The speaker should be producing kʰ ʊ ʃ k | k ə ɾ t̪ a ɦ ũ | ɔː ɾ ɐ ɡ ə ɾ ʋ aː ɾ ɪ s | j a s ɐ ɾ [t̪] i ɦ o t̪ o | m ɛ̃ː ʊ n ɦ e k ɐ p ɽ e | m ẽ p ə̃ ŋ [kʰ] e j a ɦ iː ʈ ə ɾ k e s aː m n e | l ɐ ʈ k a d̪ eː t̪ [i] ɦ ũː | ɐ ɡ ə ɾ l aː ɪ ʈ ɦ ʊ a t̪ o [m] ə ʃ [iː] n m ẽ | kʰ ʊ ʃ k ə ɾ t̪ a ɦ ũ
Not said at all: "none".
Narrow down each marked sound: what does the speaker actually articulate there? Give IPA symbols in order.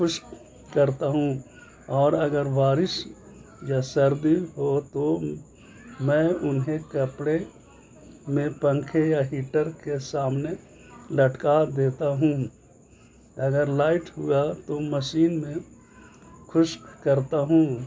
d̪, kʰ, a, m, iː

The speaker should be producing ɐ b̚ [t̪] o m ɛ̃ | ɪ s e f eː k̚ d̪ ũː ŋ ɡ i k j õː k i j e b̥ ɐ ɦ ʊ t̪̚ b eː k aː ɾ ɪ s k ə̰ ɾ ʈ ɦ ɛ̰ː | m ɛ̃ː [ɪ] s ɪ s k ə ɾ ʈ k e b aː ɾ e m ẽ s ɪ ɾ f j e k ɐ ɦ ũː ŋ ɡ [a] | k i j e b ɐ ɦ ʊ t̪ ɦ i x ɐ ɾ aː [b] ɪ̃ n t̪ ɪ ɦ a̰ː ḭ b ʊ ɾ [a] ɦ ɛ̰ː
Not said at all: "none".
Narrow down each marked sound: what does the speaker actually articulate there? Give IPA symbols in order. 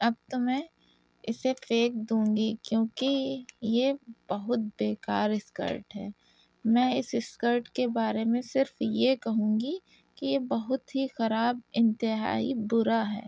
t̪, ɪ, i, b, a

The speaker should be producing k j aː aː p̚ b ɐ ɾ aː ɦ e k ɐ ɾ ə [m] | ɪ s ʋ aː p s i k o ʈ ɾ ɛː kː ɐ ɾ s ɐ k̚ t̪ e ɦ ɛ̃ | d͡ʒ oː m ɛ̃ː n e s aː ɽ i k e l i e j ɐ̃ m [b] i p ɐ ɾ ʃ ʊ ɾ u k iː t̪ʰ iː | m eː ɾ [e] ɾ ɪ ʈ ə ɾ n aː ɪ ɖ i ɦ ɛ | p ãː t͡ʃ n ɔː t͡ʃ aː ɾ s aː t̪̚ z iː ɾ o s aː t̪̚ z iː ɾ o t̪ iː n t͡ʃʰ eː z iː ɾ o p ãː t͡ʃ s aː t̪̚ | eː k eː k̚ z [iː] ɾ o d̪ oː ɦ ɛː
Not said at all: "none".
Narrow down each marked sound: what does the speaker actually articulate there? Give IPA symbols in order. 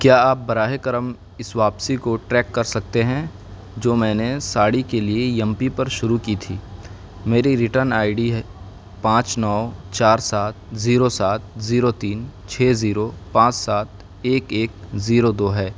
m, p, i, iː

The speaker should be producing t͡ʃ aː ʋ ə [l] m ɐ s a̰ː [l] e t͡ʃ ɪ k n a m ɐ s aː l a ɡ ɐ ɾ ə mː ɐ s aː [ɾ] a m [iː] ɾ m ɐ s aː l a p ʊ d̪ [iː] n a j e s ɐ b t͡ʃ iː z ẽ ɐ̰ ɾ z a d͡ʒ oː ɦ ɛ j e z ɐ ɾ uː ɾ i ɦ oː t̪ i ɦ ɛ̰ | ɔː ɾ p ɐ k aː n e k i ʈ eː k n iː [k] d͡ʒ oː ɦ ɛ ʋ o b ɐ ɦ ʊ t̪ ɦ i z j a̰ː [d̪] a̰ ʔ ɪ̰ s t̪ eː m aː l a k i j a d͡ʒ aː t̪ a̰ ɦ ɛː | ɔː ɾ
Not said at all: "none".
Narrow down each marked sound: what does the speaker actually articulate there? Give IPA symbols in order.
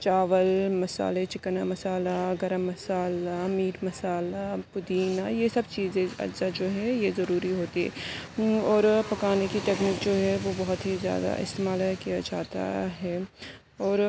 l, l, l, iː, iː, k, d̪

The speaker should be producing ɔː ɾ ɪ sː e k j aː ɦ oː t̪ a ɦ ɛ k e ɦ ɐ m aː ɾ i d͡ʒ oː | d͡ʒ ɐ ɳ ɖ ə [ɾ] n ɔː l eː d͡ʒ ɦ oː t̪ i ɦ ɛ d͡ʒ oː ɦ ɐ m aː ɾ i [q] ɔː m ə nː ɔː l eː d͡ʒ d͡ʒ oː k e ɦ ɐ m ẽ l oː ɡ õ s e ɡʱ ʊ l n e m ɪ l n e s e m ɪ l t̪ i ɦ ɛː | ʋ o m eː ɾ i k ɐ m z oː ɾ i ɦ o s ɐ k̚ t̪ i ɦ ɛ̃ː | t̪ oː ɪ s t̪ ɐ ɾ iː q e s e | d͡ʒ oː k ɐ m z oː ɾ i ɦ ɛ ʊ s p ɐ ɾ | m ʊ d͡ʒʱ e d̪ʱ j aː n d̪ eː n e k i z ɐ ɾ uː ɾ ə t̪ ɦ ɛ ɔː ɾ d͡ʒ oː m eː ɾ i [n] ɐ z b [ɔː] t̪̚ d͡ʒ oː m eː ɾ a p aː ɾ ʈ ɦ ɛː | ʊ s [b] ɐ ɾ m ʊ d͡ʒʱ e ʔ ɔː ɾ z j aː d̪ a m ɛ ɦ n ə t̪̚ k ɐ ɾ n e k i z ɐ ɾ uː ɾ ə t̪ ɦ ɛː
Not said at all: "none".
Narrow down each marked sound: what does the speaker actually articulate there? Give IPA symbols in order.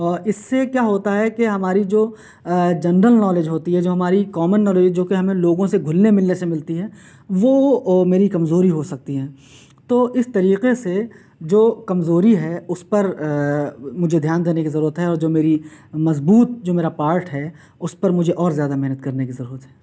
l, k, m, uː, p

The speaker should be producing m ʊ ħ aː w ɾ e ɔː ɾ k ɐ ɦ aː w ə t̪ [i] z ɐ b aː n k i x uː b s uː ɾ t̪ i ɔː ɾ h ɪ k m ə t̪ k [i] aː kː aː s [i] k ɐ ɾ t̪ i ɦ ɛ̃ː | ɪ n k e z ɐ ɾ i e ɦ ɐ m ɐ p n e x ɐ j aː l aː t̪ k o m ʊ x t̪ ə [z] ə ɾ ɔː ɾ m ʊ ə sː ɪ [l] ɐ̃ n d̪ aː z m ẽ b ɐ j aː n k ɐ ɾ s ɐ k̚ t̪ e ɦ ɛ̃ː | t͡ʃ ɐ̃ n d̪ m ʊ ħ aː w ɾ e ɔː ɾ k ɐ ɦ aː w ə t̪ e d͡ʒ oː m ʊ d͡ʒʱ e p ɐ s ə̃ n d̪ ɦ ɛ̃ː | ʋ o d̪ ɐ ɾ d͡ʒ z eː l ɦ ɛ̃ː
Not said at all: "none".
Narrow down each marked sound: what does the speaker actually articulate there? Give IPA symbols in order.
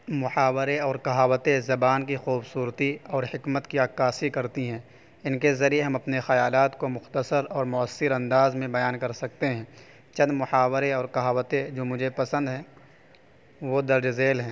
e, i, i, s, ɾ

